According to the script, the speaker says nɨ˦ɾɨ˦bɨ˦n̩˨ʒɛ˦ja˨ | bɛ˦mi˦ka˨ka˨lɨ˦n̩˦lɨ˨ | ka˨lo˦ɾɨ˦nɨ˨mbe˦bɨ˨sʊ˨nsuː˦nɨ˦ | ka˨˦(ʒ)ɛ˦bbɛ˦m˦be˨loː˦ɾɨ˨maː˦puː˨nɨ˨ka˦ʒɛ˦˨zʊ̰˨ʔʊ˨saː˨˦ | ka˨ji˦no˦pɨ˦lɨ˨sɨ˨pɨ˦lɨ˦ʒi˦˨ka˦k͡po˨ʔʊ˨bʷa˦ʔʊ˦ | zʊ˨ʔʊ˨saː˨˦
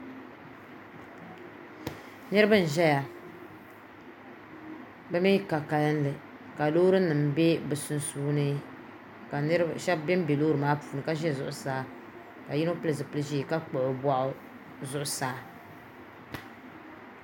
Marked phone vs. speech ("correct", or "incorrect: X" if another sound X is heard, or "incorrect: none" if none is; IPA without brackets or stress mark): incorrect: ʃ